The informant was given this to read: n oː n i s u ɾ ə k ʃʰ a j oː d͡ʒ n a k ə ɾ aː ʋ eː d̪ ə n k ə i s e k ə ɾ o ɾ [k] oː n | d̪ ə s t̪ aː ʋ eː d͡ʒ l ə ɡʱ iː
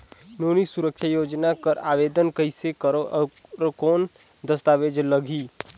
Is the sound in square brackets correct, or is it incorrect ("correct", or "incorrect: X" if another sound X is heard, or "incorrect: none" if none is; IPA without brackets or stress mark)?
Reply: correct